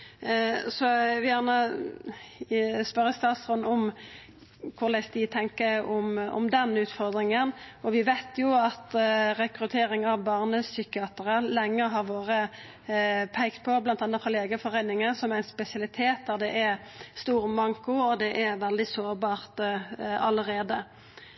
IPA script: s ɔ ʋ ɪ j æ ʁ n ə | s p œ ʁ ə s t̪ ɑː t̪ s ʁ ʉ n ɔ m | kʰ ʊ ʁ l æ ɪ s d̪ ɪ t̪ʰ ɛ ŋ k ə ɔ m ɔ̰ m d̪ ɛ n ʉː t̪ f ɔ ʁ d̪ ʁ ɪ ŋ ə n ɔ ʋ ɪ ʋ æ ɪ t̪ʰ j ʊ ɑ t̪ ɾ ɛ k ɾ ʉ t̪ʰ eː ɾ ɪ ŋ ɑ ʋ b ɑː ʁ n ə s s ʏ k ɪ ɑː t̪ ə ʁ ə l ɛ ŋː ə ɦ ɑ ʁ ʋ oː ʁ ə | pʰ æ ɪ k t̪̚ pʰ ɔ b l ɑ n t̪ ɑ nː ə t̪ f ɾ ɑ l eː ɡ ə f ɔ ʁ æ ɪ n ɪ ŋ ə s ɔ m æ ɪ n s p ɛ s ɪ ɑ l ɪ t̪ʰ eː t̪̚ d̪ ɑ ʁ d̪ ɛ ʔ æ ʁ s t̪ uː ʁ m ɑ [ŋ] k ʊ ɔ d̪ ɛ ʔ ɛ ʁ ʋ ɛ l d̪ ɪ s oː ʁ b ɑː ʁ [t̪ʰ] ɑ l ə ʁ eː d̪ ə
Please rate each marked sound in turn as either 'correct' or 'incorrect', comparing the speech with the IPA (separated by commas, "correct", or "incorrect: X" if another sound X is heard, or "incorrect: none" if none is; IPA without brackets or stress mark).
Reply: correct, incorrect: t̪